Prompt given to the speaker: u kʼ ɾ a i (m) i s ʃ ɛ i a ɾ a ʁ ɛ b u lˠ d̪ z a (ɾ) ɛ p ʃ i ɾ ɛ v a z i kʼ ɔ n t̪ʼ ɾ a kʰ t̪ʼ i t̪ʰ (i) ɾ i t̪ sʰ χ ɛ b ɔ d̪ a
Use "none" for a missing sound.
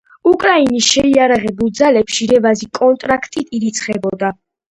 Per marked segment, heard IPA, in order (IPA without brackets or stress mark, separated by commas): n, l, i